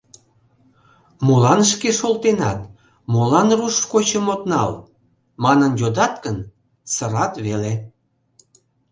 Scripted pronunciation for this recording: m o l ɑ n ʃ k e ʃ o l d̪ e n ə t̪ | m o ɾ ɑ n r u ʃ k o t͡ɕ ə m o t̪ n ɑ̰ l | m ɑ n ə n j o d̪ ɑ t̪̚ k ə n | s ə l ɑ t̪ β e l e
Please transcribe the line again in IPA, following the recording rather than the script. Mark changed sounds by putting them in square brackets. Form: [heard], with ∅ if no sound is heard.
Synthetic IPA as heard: m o l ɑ n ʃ k e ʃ o l [t̪] e n [ɑ] t̪ | m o [l] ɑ n r u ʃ k o t͡ɕ ə m o t̪ n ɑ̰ l | m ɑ n ə n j o d̪ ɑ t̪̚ k ə n | s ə [ɾ] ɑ t̪ β e l e

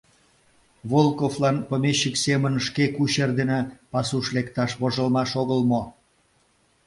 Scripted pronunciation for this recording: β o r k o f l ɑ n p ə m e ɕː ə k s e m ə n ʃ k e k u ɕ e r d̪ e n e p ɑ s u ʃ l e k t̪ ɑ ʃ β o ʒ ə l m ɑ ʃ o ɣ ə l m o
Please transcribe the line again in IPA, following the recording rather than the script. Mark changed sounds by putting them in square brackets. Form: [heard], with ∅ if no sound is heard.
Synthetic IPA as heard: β o [l] k o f l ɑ n p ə m e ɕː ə k s e m ə n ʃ k e k u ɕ e r d̪ e n e p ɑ s u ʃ l e k t̪ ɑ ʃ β o ʒ ə l m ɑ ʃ o ɣ ə l m o

